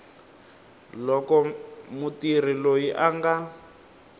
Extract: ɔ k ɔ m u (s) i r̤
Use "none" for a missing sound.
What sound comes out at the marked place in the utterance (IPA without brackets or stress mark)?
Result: t